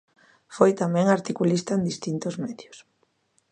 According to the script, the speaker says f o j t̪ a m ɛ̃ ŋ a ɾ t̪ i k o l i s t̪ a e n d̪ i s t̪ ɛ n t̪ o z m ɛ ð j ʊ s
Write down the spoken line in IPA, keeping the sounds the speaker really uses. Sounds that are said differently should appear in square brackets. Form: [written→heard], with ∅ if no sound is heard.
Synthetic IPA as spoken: f o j t̪ a m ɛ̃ ŋ a ɾ t̪ i k [o→u] l i s t̪ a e n d̪ i s t̪ [ɛ→i] n t̪ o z m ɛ ð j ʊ s